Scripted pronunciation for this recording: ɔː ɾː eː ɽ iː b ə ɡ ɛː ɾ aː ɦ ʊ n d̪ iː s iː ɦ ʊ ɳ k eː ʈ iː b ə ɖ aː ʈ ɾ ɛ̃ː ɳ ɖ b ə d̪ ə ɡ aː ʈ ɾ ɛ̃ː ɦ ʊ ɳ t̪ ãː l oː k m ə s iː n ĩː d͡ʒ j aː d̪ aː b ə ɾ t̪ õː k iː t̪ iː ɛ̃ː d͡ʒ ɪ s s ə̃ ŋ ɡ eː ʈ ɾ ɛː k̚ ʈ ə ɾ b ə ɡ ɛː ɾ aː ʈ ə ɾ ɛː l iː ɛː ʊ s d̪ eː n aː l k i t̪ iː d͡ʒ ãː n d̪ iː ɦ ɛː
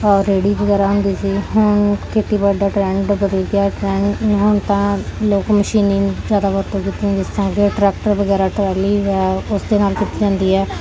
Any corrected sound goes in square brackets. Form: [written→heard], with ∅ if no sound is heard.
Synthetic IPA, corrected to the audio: ɔː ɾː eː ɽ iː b ə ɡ ɛː ɾ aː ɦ ʊ n d̪ iː s iː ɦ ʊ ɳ k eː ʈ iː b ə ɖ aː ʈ ɾ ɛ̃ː ɳ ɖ b ə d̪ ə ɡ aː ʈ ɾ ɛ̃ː ɦ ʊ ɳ t̪ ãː l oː k m ə [s→ʃ] iː n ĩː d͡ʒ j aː d̪ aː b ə ɾ t̪ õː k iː t̪ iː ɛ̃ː d͡ʒ ɪ s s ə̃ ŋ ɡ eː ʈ ɾ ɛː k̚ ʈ ə ɾ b ə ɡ ɛː ɾ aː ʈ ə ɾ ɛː l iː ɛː ʊ s d̪ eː n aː l k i t̪ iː d͡ʒ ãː n d̪ iː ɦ ɛː